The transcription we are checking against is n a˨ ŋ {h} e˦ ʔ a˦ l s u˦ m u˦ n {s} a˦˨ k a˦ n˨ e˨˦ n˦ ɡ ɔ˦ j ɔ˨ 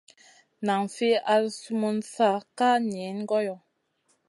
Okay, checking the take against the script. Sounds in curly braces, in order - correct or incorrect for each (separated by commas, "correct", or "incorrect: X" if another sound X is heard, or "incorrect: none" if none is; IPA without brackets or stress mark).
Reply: incorrect: f, correct